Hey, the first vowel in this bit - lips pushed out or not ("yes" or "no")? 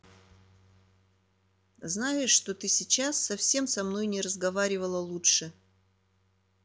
no